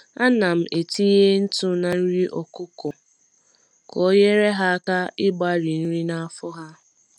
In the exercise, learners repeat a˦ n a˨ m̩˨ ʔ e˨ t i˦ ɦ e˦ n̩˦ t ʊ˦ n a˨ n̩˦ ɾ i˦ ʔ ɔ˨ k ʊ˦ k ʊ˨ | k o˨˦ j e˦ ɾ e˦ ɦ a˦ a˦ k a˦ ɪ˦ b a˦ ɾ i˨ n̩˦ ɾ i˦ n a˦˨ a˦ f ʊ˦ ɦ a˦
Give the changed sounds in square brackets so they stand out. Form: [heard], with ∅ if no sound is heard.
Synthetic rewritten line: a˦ n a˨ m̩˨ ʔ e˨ t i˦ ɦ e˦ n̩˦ t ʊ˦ n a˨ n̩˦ ɾ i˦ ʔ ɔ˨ k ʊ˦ k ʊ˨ | k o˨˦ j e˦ ɾ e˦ ɦ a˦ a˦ k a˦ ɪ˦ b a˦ ɾ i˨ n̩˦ ɾ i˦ n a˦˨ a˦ f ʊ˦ ɦ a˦

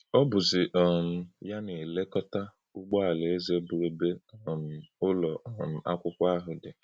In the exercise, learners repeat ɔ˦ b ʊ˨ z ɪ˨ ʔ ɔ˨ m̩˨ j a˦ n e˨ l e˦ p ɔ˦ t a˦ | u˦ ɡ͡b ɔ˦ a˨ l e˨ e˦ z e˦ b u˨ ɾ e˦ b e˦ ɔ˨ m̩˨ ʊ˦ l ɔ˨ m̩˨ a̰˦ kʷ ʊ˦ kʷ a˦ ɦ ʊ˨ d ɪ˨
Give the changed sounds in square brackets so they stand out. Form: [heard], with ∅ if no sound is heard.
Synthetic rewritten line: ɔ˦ b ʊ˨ z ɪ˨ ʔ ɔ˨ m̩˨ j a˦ n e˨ l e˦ [k] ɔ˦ t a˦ | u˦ ɡ͡b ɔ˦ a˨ l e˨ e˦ z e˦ b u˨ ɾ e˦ b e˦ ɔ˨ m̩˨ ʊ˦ l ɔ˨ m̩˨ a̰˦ kʷ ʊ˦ kʷ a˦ ɦ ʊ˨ d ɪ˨

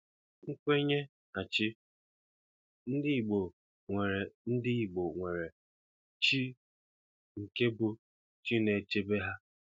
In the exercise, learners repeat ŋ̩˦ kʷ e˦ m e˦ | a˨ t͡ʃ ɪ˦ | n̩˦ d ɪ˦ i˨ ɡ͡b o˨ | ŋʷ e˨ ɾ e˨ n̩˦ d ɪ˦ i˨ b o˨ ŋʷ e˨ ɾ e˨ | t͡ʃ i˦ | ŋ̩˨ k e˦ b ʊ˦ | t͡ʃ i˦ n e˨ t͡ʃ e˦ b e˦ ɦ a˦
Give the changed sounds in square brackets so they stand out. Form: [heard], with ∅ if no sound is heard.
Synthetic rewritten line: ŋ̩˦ kʷ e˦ [ɲ] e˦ | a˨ t͡ʃ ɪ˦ | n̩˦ d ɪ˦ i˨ ɡ͡b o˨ | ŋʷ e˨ ɾ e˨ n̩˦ d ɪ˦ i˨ [ɡ͡b] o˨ ŋʷ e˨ ɾ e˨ | t͡ʃ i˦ | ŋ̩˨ k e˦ b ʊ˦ | t͡ʃ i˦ n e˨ t͡ʃ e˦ b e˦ ɦ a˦

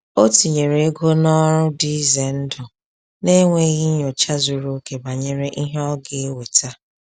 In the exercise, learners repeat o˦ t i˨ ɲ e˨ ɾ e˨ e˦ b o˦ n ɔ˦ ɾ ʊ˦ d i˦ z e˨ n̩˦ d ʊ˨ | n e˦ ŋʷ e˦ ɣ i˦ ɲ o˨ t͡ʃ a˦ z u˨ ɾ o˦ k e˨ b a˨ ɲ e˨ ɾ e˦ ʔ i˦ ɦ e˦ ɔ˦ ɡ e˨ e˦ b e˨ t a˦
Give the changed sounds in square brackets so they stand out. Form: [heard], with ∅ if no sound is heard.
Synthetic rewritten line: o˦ t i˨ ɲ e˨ ɾ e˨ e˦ [ɡ] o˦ n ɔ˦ ɾ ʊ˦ d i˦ z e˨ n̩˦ d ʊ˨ | n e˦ ŋʷ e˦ ɣ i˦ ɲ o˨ t͡ʃ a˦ z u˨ ɾ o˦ k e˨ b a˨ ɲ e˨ ɾ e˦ ʔ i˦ ɦ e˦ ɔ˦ ɡ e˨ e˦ [w] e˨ t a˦

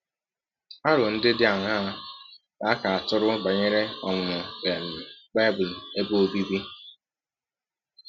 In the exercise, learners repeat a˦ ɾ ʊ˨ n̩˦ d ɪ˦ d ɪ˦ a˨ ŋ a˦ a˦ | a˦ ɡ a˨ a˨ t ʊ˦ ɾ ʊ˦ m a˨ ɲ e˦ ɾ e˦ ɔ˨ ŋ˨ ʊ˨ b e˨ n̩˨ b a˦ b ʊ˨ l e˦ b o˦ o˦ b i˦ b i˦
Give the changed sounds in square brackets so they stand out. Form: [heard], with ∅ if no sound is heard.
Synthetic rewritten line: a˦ ɾ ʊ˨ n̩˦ d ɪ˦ d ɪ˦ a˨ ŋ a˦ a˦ | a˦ [k] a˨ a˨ t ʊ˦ ɾ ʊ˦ [b] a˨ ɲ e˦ ɾ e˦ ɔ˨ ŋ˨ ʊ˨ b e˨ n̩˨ b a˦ b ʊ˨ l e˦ b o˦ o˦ b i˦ b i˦

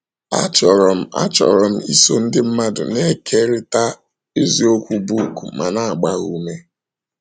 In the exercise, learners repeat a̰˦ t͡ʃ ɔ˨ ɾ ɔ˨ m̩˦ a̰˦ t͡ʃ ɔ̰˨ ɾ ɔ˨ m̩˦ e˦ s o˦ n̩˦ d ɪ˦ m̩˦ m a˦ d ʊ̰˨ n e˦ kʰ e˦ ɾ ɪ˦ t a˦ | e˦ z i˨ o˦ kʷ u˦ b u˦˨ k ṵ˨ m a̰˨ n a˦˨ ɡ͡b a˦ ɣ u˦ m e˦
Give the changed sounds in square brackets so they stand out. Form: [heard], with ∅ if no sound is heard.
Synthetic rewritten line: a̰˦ t͡ʃ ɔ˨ ɾ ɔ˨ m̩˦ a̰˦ t͡ʃ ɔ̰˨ ɾ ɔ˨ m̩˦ [i˦] s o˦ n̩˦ d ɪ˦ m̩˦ m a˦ d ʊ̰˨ n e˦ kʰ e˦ ɾ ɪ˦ t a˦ | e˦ z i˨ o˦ kʷ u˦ b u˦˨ k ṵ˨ m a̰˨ n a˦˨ ɡ͡b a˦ ɣ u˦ m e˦

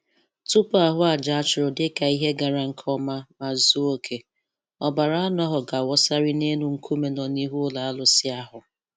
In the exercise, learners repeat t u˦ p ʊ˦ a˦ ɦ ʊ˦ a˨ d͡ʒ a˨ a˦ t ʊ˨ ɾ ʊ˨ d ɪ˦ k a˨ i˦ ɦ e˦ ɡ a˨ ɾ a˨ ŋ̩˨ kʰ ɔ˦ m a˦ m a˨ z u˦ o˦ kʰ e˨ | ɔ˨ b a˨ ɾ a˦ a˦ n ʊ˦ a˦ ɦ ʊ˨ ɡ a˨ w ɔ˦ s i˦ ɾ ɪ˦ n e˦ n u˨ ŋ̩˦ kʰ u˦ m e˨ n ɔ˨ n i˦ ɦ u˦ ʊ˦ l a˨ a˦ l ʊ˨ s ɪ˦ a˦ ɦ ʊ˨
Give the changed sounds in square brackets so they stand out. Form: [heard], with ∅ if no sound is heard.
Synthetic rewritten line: t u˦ p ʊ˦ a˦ ɦ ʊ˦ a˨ d͡ʒ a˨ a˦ [t͡ʃ] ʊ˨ ɾ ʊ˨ d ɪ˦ k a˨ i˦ ɦ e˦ ɡ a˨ ɾ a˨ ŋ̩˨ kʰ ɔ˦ m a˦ m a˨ z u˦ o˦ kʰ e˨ | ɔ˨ b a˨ ɾ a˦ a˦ n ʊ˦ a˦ ɦ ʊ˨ ɡ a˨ w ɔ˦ s [a˦] ɾ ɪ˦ n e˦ n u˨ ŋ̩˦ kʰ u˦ m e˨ n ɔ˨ n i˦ ɦ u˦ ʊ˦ l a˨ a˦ l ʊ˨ s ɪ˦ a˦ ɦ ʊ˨

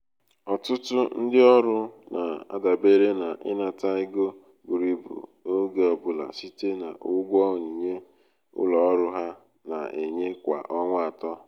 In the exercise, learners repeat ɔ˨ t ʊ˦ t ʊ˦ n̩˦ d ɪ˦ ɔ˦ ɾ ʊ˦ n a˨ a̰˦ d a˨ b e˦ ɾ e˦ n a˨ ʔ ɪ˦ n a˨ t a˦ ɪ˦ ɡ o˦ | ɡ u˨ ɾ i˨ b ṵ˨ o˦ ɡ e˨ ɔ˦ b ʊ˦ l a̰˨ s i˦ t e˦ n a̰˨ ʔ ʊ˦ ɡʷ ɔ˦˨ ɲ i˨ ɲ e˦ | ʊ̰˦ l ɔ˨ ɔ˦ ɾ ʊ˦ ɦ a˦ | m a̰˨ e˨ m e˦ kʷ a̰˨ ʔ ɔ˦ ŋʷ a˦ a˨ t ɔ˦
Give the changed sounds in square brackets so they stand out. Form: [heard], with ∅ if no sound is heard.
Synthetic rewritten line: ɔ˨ t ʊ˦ t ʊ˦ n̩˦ d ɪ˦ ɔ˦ ɾ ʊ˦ n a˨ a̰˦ d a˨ b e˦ ɾ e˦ n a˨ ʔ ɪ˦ n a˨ t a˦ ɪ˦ ɡ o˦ | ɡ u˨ ɾ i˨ b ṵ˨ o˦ ɡ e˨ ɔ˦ b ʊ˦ l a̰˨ s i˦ t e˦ n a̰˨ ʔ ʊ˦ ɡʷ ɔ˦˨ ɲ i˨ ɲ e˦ | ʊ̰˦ l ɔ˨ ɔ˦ ɾ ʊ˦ ɦ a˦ | [n] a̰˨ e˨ [ɲ] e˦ kʷ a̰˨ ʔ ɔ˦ ŋʷ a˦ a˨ t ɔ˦

